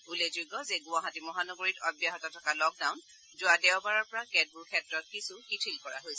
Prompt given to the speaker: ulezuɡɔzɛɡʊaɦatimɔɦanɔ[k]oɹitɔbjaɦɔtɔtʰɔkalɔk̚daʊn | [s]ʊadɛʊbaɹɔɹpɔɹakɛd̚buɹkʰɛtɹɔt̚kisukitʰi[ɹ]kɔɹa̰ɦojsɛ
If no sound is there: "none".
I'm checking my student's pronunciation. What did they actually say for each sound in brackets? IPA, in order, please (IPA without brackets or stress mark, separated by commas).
ɡ, z, l